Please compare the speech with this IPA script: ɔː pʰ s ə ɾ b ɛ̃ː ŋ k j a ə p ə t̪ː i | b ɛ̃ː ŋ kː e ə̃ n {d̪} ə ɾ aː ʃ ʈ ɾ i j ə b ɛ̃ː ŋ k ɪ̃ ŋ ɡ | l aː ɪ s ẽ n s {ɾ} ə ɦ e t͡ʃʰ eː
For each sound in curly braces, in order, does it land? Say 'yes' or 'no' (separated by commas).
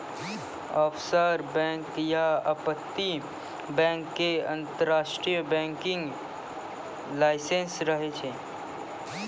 no, yes